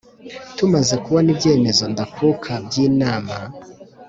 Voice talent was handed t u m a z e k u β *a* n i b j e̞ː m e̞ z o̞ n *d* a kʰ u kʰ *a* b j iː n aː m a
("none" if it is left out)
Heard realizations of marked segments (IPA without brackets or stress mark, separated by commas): a, d, a